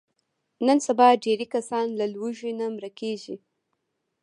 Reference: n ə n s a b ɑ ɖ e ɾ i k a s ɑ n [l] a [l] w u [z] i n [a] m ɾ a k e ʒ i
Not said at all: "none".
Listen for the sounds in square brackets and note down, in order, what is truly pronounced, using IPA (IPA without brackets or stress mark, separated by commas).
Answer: l, l, ʒ, a